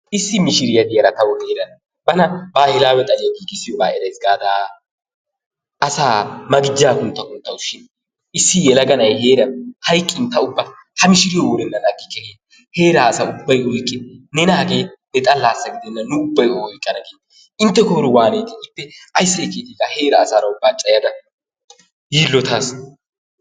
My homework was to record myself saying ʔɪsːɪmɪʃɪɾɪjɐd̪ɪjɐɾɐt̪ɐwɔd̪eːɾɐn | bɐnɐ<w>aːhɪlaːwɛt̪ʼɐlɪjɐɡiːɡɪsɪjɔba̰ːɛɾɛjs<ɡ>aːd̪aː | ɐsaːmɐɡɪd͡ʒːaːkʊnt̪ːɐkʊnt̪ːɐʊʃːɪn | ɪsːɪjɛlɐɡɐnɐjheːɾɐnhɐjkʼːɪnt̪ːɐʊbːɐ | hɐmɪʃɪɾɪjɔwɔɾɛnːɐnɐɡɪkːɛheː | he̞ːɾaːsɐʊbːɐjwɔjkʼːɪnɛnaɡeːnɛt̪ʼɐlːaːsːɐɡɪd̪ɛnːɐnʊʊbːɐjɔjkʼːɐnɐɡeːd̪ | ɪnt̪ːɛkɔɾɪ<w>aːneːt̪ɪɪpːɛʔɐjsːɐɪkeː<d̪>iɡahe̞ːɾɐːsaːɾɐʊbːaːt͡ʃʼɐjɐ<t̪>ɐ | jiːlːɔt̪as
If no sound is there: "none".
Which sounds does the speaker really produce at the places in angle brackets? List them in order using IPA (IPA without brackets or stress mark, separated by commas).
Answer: b, ɡ, w, t̪, d̪